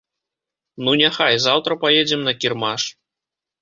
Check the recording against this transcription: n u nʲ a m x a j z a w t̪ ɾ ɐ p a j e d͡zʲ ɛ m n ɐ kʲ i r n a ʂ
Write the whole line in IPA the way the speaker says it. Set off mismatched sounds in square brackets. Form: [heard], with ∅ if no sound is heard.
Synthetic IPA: n u nʲ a [∅] x a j z a w t̪ ɾ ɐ p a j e d͡zʲ ɛ m n ɐ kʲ i r [m] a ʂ